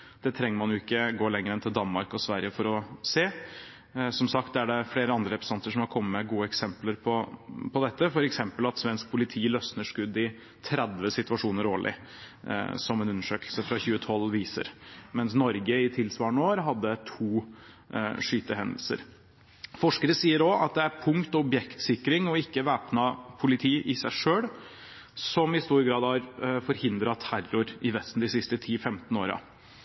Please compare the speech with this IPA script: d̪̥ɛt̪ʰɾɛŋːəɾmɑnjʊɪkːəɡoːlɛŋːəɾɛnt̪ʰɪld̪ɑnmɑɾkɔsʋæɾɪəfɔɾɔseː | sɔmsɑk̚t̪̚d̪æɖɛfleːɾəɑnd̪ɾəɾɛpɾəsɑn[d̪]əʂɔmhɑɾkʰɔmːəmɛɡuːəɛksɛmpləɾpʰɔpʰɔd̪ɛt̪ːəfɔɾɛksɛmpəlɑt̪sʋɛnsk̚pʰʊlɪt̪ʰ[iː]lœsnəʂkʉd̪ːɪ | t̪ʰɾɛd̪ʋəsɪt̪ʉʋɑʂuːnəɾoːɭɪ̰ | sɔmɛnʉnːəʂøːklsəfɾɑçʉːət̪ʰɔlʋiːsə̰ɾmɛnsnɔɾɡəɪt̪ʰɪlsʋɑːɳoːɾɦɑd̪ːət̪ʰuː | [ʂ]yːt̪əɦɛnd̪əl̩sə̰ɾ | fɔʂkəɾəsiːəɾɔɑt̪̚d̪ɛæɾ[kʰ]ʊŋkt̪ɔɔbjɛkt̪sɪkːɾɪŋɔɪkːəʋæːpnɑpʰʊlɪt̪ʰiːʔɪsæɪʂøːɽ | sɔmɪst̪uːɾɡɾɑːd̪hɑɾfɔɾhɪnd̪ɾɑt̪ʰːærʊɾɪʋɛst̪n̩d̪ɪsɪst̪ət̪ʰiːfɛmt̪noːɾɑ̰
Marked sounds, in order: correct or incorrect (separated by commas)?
incorrect, correct, correct, incorrect